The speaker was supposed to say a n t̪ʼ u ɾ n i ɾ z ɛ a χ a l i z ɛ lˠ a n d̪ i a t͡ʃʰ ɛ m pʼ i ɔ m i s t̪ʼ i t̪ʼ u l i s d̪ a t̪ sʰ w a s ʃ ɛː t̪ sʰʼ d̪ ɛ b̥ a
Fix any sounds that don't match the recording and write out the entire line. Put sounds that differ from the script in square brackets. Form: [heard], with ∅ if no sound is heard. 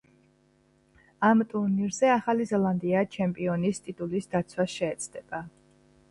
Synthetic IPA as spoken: a [m] t̪ʼ u ɾ n i ɾ z ɛ a χ a l i z ɛ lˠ a n d̪ i a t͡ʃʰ ɛ m pʼ i ɔ [n] i s t̪ʼ i t̪ʼ u l i s d̪ a t̪ sʰ w a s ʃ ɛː t̪ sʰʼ d̪ ɛ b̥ a